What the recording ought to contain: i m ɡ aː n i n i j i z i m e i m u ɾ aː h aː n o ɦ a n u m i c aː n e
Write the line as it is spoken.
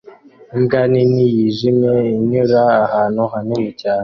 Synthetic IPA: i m ɡ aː n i n i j i ʒ i m e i ɲ u ɾ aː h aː n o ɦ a n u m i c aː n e